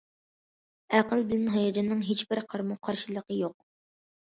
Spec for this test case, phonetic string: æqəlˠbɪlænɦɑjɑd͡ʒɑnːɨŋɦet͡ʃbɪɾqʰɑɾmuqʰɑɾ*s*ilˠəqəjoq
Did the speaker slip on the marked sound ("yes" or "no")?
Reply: yes